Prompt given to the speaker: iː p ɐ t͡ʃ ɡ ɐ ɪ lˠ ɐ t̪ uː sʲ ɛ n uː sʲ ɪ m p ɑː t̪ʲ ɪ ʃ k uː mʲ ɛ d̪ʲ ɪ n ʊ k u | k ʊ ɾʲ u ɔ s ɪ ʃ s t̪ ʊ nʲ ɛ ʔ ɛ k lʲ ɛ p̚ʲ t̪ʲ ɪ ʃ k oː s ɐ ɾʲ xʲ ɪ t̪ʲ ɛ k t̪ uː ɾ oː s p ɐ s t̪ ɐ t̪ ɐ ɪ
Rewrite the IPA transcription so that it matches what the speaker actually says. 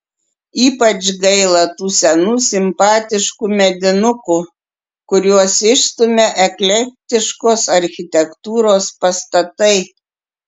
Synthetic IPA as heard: iː p ɐ t͡ʃ ɡ ɐ ɪ lˠ ɐ t̪ uː sʲ ɛ n uː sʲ ɪ m p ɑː t̪ʲ ɪ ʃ k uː mʲ ɛ d̪ʲ ɪ n ʊ k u | k ʊ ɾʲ u ɔ s ɪ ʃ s t̪ ʊ mʲ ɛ ʔ ɛ k lʲ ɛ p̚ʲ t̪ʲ ɪ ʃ k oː s ɐ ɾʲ xʲ ɪ t̪ʲ ɛ k t̪ uː ɾ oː s p ɐ s t̪ ɐ t̪ ɐ ɪ